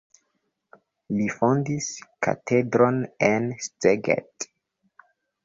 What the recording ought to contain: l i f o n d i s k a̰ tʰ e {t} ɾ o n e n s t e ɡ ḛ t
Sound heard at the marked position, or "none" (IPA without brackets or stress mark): d